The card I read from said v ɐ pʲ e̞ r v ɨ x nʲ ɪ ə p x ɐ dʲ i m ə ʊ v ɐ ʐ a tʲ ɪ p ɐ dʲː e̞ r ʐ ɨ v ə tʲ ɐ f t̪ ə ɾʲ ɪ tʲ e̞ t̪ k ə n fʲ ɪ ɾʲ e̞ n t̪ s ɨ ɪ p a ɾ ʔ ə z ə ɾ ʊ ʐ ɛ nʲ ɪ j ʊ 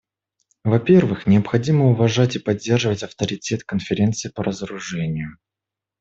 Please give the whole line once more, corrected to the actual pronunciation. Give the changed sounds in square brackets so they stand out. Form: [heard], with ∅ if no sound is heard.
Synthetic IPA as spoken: v ɐ pʲ e̞ r v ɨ x nʲ ɪ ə p x ɐ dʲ i m ə ʊ v ɐ ʐ a tʲ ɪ p ɐ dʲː e̞ r ʐ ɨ v ə tʲ ɐ f t̪ ə ɾʲ ɪ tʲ e̞ t̪ k ə n fʲ ɪ ɾʲ e̞ n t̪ s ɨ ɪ p [ə] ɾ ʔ ə z ə ɾ ʊ ʐ ɛ nʲ ɪ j ʊ